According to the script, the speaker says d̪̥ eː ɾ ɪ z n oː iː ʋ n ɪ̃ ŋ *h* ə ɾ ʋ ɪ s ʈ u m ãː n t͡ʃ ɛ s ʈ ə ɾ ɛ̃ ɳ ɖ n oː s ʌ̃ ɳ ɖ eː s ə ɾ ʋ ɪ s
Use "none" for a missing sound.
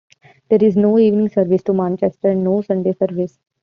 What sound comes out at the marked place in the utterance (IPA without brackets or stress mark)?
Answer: s